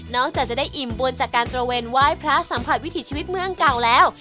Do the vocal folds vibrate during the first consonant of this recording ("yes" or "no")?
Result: yes